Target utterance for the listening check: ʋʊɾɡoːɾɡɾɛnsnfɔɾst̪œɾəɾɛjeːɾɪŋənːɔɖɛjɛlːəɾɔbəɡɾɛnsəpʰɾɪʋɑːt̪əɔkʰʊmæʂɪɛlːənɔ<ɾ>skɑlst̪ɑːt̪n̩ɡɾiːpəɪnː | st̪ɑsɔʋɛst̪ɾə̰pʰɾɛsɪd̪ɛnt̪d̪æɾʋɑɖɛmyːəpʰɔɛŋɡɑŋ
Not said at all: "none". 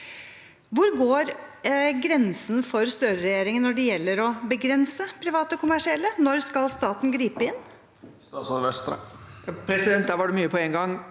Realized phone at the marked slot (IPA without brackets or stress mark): ɾ